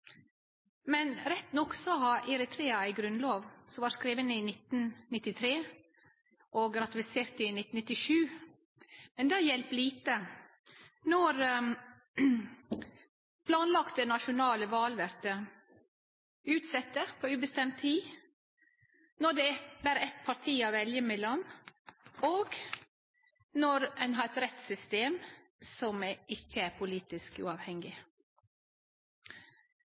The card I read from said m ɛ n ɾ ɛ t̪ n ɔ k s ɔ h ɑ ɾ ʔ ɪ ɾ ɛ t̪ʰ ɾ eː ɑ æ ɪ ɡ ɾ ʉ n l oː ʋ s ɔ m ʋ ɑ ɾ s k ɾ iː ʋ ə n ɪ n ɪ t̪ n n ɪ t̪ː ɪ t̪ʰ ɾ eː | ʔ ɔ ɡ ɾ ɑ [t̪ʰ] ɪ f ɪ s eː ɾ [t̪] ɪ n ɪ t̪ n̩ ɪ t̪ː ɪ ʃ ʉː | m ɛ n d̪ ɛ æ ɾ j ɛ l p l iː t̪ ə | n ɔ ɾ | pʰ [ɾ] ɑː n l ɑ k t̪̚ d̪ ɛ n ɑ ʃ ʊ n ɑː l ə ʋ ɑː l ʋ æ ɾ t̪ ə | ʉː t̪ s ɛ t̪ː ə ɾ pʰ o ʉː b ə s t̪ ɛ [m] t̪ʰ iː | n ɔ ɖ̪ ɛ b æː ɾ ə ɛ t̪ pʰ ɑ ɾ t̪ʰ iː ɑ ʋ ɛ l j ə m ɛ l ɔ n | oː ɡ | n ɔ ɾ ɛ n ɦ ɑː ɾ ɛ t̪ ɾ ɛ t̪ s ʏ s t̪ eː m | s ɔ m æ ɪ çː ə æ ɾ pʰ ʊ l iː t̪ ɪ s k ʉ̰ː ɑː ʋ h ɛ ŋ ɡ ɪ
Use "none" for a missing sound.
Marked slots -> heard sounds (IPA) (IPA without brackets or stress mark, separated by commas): t̪, t̪, l, m